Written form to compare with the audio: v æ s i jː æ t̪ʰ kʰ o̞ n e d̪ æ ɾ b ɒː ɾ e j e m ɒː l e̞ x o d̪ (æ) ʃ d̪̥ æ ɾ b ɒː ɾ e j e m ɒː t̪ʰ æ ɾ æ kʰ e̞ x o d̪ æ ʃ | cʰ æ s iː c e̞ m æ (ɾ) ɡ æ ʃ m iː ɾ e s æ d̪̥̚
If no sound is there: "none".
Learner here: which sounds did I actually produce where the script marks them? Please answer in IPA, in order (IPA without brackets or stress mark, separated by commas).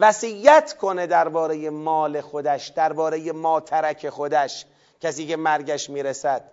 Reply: æ, ɾ